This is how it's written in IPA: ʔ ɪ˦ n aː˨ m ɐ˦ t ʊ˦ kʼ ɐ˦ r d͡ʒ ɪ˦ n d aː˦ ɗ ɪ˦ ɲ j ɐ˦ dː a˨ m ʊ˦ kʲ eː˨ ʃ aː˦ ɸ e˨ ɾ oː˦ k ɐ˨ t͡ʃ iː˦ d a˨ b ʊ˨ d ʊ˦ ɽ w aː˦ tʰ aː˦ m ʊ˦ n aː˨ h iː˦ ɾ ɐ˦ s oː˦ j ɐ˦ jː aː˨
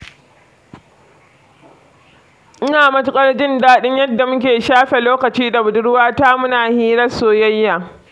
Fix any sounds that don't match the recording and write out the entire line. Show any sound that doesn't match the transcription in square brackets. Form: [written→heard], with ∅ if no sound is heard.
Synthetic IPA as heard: ʔ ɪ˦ n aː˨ m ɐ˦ t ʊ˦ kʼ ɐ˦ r d͡ʒ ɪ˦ n d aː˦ ɗ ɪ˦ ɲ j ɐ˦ dː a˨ m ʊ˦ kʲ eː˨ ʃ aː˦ ɸ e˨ [ɾ→l] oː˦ k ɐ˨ t͡ʃ iː˦ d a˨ b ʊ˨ d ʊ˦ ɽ w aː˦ [tʰ→t] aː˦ m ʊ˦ n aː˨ h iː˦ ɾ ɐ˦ s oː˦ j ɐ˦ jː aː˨